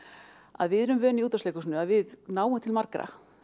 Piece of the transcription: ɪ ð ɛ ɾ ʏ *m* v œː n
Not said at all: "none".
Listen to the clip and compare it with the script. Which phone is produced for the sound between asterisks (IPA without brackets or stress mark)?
m